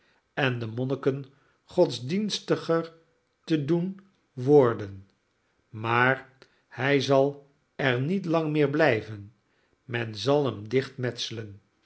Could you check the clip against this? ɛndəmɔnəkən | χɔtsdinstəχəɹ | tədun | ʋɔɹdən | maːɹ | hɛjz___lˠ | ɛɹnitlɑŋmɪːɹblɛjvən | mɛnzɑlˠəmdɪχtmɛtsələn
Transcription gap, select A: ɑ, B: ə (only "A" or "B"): A